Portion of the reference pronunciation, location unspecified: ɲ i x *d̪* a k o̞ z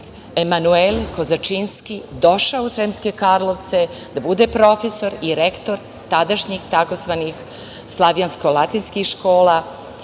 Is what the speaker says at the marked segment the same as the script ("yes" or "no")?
no